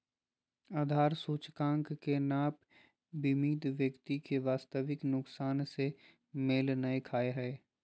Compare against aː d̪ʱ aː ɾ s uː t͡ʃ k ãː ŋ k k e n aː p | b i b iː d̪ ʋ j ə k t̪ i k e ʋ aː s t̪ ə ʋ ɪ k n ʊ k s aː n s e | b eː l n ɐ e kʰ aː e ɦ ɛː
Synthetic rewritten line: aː d̪ʱ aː ɾ s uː t͡ʃ k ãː ŋ k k e n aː p | b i m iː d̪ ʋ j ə k t̪ i k e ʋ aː s t̪ ə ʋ ɪ k n ʊ k s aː n s e | m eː l n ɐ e kʰ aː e ɦ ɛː